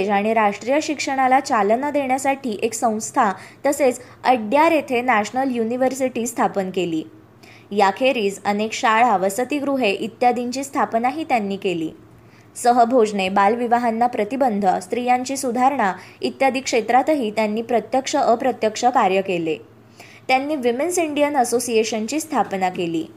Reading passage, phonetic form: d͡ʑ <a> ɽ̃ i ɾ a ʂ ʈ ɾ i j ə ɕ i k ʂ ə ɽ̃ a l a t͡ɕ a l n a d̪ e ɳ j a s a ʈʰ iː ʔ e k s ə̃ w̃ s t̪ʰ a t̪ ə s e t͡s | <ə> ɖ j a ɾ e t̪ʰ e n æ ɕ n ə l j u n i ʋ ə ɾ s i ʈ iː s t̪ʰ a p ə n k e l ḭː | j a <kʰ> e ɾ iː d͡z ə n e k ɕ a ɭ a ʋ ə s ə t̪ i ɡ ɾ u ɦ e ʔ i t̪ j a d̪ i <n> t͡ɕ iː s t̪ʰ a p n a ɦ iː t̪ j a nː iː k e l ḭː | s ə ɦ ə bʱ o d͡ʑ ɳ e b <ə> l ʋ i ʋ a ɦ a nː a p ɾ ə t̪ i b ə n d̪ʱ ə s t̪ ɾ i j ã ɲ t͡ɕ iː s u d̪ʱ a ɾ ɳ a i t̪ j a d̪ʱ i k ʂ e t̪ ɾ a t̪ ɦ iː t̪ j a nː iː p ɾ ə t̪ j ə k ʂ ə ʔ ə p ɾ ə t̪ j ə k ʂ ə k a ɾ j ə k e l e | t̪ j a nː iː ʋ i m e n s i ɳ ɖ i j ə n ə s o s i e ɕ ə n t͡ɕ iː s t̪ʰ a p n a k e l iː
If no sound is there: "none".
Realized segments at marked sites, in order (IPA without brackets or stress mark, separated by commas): a, ə, kʰ, ɲ, a